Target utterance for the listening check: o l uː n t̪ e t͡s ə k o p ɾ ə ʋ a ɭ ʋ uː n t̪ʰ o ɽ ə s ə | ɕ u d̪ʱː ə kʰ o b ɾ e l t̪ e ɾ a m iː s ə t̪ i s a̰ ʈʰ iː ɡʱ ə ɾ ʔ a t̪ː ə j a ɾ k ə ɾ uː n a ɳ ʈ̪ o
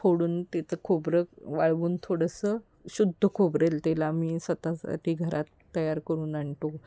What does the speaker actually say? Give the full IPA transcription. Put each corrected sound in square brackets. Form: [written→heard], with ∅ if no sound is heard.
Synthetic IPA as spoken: o [l→ɽ] uː n t̪ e t͡s ə [k→kʰ] o [p→b] ɾ ə ʋ a ɭ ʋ uː n t̪ʰ o ɽ ə s ə | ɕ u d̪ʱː ə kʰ o b ɾ e l t̪ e [ɾ→l] a m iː s ə t̪ [i→a] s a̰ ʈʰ iː ɡʱ ə ɾ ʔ a t̪ː ə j a ɾ k ə ɾ uː n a ɳ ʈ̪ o